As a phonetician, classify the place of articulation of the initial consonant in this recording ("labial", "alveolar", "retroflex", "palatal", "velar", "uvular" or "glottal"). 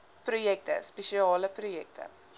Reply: labial